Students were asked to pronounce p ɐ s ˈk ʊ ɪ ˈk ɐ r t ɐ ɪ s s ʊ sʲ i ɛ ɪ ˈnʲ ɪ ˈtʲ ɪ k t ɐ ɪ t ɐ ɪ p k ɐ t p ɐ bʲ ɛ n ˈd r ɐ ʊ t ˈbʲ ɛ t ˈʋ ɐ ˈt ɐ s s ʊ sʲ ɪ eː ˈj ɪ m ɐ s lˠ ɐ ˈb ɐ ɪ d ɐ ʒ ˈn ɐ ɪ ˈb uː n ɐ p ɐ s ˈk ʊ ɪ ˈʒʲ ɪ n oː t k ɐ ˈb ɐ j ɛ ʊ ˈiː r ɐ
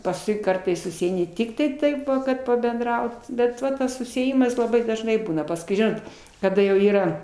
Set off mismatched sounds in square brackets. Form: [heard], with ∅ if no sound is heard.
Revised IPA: p ɐ s ˈk ʊ ɪ ˈk ɐ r t ɐ ɪ s s ʊ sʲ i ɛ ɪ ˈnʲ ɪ ˈtʲ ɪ k t ɐ ɪ t ɐ ɪ p k ɐ t p ɐ bʲ ɛ n ˈd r ɐ ʊ t ˈbʲ ɛ t ˈʋ ɐ ˈt ɐ s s ʊ sʲ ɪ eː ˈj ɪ m ɐ s lˠ ɐ ˈb ɐ ɪ d ɐ ʒ ˈn ɐ ɪ ˈb uː n ɐ p ɐ s ˈk ʊ ɪ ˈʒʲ ɪ n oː t k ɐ [ˈd] ɐ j ɛ ʊ ˈiː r ɐ